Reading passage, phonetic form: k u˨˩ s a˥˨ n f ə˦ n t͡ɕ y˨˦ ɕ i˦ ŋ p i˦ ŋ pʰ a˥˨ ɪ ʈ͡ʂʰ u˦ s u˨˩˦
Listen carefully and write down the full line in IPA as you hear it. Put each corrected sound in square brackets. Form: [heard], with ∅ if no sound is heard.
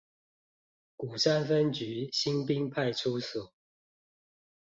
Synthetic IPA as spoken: k u˨˩ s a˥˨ n f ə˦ n t͡ɕ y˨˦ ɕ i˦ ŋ p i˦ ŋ pʰ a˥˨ ɪ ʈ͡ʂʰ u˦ s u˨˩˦